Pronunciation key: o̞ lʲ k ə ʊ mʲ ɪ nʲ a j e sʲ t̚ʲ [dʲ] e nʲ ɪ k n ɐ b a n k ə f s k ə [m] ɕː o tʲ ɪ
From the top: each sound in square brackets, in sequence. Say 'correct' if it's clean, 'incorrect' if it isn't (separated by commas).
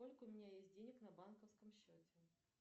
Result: correct, correct